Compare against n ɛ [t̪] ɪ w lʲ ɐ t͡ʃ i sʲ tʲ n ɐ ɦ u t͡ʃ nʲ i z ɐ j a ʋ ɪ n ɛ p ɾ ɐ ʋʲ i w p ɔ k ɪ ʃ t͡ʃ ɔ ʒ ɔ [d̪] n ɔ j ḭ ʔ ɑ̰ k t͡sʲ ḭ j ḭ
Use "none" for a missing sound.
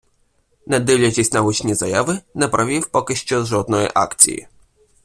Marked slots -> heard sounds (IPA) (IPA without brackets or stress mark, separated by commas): d̪, d̪